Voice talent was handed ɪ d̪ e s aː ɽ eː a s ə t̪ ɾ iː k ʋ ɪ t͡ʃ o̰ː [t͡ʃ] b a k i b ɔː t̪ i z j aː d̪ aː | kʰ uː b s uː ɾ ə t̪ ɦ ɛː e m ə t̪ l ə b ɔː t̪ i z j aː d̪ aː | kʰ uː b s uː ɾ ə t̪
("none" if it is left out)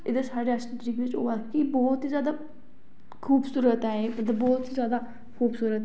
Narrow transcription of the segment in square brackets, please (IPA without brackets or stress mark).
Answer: none